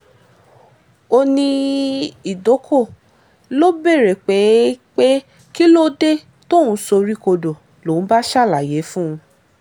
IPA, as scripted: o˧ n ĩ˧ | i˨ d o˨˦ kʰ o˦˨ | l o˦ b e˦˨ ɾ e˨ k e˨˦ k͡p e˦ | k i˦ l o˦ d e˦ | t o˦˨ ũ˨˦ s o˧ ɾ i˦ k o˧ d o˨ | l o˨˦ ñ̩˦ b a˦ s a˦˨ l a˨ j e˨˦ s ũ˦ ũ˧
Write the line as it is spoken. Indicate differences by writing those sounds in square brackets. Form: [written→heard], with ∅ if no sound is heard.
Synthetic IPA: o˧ n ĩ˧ | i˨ d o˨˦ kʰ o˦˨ | l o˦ b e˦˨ ɾ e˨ [k→k͡p] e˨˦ k͡p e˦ | k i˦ l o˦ d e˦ | t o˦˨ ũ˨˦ s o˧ ɾ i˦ k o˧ d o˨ | l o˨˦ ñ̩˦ b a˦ [s→ʃ] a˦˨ l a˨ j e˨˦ [s→f] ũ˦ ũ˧